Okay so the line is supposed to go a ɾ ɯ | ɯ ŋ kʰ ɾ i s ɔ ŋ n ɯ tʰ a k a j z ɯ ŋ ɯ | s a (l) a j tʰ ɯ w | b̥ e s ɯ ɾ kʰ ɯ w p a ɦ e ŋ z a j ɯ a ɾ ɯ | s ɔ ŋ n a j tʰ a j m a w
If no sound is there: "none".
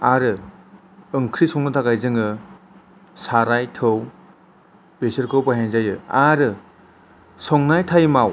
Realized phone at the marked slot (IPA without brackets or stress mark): ɾ